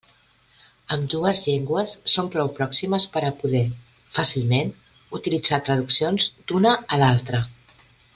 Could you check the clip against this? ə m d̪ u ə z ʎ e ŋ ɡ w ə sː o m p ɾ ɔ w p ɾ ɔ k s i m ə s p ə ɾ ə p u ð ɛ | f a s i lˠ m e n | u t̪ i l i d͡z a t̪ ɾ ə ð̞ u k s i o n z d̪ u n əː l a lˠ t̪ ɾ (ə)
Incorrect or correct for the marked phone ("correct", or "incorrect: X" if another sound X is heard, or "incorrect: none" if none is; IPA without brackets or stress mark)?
correct